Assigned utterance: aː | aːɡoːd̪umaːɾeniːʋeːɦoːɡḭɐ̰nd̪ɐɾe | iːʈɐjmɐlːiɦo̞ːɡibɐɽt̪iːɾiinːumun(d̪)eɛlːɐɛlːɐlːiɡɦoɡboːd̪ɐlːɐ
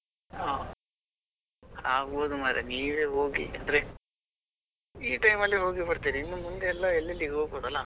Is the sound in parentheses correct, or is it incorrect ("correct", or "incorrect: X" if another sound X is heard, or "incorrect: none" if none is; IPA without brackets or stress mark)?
correct